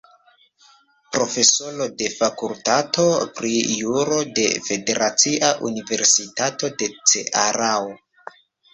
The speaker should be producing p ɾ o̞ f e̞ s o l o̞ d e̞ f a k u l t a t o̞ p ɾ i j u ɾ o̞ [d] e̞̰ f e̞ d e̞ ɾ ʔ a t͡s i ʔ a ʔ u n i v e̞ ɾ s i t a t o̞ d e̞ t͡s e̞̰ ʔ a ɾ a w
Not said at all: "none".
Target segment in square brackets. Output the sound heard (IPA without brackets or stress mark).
d